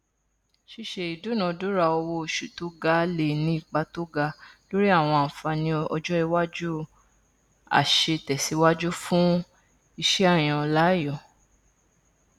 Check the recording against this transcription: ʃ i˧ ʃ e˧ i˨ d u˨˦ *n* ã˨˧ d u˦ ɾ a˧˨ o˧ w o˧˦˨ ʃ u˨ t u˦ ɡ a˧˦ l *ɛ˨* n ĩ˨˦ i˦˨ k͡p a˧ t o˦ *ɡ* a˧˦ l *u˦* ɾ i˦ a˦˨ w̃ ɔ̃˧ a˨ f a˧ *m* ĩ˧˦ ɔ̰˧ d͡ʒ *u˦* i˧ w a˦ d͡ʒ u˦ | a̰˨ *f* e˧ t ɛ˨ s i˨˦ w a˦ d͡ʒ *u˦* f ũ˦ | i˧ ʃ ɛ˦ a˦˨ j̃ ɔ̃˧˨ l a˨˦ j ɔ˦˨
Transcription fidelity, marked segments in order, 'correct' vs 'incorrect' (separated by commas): correct, incorrect, correct, incorrect, incorrect, incorrect, incorrect, correct